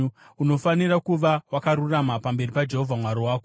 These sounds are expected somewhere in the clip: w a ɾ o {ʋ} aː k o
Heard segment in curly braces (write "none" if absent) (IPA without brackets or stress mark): w